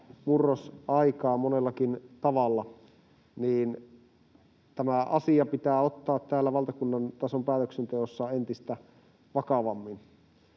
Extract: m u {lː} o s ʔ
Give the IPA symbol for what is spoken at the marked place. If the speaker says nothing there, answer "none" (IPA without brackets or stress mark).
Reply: rː